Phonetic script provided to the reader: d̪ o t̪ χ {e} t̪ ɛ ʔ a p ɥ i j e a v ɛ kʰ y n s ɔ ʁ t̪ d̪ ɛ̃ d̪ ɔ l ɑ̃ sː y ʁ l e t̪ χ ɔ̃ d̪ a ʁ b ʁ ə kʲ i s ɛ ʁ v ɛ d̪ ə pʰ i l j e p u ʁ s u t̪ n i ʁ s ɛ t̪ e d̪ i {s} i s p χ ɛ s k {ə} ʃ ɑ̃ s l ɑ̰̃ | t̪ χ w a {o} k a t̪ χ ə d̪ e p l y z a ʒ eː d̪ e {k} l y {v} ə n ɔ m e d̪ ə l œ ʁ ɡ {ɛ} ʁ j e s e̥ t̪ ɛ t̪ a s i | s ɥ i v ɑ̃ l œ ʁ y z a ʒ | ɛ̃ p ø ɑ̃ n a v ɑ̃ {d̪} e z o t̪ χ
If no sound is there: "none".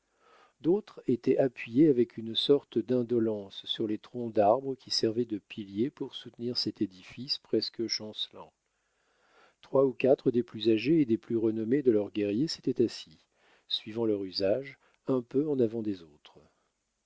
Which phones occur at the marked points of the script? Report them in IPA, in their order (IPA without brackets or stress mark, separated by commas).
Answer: e, f, ə, u, p, ʁ, ɛ, d̪